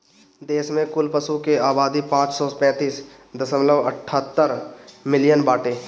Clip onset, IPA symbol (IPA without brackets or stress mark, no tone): d̪